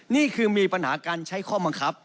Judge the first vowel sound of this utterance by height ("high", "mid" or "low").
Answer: high